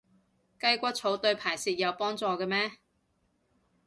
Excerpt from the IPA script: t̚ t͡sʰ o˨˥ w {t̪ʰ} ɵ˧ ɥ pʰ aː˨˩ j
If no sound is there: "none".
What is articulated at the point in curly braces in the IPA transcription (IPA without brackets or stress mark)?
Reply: t̪